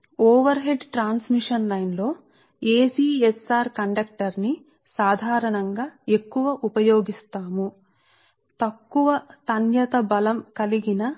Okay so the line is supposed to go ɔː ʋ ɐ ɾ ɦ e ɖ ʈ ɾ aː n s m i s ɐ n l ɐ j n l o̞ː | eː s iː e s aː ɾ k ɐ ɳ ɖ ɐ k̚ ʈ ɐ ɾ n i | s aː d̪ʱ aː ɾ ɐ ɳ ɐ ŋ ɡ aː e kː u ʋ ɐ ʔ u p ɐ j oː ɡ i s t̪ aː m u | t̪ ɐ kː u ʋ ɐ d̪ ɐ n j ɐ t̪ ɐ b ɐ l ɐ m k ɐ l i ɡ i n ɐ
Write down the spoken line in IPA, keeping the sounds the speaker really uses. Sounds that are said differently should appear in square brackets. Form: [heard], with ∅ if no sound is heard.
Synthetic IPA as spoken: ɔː ʋ ɐ ɾ ɦ e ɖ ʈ ɾ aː n s m i [ʂ] ɐ n l ɐ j n l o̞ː | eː s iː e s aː ɾ k ɐ ɳ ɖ ɐ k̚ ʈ ɐ ɾ n i | s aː d̪ʱ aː ɾ ɐ ɳ ɐ ŋ ɡ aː e kː u ʋ ɐ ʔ u p ɐ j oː ɡ i s t̪ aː m u | t̪ ɐ kː u ʋ ɐ [t̪] ɐ n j ɐ t̪ ɐ b ɐ l ɐ m k ɐ l i ɡ i n ɐ